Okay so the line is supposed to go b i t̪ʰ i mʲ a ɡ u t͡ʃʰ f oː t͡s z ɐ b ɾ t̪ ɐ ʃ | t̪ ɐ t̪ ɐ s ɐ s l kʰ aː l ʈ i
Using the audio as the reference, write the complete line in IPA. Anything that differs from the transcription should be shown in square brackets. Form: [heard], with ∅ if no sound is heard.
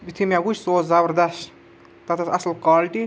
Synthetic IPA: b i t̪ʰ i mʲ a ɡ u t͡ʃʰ [s] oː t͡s z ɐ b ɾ [d̪] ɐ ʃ | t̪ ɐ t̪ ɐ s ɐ s l [k] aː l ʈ i